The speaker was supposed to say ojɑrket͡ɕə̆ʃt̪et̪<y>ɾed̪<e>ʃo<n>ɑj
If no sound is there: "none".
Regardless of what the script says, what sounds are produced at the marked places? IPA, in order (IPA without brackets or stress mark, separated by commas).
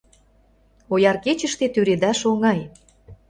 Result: y, æ, ŋ